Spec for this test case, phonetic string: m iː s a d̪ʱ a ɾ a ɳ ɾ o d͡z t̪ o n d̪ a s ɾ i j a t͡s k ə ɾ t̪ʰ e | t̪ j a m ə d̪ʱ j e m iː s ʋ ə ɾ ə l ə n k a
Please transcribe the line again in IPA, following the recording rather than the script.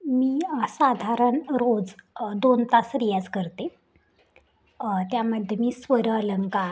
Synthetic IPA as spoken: m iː s a d̪ʱ a ɾ ə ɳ ɾ o d͡z d̪ o n t̪ a s ɾ i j a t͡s k ə ɾ t̪ e | t̪ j a m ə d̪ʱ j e m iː s ʋ ə ɾ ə l ə ŋ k a